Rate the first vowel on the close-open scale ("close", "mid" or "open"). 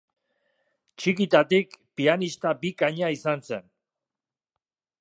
close